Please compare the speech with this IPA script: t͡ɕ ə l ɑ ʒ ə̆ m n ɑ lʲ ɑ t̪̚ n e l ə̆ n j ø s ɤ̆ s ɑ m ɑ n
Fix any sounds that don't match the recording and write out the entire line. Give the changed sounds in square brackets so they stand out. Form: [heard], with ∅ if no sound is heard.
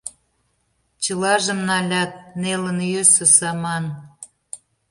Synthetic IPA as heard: t͡ɕ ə l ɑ ʒ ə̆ m n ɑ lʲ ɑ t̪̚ n e l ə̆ n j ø s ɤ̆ s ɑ m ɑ n